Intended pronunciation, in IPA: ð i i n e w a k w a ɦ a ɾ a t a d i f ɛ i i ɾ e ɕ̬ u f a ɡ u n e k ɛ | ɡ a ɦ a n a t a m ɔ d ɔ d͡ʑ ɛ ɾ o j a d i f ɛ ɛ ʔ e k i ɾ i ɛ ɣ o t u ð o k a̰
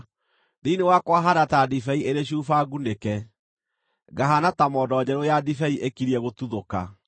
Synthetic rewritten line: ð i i n e w a k w a ɦ a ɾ a t a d i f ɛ i e ɾ e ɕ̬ u f a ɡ u n e k ɛ | ɡ a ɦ a n a t a m ɔ d ɔ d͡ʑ ɛ ɾ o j a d i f ɛ i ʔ e k i ɾ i ɛ ɣ o t u ð o k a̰